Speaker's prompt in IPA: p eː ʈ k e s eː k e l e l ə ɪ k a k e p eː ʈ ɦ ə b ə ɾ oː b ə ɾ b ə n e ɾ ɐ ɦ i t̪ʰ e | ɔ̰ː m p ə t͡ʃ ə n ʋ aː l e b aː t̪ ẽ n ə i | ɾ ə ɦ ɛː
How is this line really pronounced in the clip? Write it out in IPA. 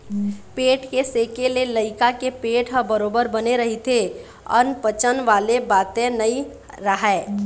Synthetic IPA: p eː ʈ k e s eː k e l e l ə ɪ k a k e p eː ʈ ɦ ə b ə ɾ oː b ə ɾ b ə n e ɾ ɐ ɦ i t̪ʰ e | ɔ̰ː n p ə t͡ʃ ə n ʋ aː l e b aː t̪ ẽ n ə i | ɾ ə ɦ ɛː